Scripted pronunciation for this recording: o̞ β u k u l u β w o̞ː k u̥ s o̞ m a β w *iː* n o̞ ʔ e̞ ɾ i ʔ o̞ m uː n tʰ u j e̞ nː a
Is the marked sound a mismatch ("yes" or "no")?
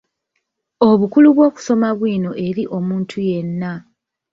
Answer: no